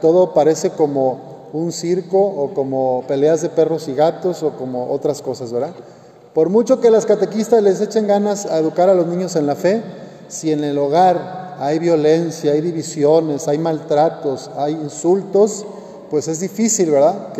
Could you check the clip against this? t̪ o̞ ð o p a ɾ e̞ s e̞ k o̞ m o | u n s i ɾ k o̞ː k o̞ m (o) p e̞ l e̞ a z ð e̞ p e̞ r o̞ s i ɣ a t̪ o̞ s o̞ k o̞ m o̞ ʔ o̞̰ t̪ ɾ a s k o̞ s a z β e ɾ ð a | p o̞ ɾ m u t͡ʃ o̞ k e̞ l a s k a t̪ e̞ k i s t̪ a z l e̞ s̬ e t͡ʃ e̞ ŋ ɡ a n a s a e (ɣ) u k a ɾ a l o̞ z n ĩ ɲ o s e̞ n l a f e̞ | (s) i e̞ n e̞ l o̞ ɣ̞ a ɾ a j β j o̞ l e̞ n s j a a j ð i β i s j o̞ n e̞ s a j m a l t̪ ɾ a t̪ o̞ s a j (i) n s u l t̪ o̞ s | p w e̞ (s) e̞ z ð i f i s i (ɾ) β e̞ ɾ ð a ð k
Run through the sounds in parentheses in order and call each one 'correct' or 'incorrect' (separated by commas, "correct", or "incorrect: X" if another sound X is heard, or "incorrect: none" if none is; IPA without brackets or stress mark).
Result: correct, incorrect: ð, correct, correct, correct, incorrect: l